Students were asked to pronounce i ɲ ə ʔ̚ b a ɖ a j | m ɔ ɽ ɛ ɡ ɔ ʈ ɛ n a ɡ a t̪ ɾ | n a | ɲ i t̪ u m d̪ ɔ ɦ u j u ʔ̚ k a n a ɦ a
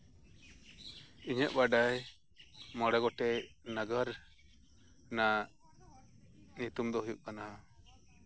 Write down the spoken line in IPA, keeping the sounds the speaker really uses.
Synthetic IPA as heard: i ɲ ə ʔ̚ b a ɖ a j | m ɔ ɽ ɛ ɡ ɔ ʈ ɛ n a ɡ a ɾ | n a | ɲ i t̪ u m d̪ ɔ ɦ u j u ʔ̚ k a n a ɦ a